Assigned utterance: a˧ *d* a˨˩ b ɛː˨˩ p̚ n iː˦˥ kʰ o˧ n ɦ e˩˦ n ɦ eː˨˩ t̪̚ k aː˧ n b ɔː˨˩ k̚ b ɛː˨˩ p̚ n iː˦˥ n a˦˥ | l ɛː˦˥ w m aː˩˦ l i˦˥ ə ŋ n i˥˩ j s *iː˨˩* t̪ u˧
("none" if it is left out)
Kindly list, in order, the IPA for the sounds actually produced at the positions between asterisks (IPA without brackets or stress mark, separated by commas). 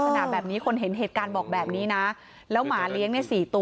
n, iː˨˩